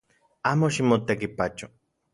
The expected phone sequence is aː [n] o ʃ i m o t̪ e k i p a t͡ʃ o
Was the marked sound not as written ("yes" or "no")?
yes